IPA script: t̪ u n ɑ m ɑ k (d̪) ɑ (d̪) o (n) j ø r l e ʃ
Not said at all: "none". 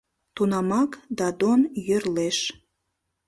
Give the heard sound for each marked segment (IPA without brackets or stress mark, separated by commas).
d̪, d̪, n